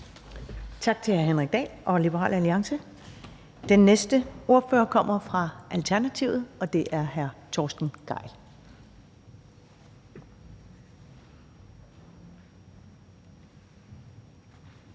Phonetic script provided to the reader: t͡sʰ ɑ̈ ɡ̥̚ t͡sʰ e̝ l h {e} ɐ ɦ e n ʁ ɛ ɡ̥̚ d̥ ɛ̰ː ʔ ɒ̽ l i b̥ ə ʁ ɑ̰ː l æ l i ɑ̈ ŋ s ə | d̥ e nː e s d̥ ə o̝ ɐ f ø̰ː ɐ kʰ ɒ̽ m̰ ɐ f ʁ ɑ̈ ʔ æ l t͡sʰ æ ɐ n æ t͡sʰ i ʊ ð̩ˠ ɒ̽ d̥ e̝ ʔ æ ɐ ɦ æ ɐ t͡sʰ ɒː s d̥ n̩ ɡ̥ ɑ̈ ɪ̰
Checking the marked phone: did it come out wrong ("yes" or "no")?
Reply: yes